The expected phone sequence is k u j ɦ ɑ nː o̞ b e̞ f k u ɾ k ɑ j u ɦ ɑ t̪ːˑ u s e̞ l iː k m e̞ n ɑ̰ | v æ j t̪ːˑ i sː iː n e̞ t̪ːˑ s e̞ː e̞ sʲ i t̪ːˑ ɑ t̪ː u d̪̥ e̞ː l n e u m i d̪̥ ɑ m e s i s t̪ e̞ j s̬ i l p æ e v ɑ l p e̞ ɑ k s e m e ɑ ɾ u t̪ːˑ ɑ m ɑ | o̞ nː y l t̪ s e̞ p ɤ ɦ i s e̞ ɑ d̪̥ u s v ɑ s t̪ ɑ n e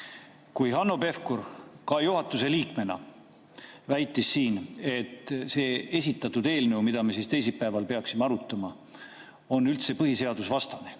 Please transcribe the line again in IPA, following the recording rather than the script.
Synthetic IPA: k u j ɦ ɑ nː o̞ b e̞ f k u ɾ k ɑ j u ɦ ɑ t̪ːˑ u s e̞ l iː k m e̞ n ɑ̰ | v æ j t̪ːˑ i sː iː n e̞ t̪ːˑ s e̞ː e̞ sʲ i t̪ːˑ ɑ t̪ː u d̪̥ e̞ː l n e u m i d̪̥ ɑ m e s i s t̪ e̞ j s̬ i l p æ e v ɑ l p e̞ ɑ k s i m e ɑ ɾ u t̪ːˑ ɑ m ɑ | o̞ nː y l t̪ s e̞ p ɤ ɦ i s e̞ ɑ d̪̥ u s v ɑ s t̪ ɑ n e